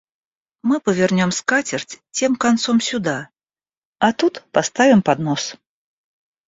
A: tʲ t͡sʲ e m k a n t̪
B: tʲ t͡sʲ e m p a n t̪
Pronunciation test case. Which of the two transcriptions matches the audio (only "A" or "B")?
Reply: A